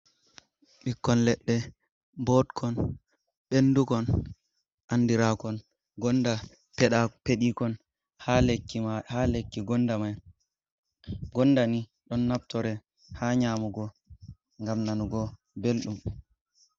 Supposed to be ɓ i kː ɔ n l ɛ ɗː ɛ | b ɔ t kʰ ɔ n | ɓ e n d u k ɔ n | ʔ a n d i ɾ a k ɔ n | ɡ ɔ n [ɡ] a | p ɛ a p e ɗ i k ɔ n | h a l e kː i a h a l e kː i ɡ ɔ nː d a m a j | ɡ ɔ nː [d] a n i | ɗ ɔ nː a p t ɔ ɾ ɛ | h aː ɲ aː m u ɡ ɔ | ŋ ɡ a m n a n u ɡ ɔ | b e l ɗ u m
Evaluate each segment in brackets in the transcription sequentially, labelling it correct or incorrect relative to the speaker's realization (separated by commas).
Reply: incorrect, correct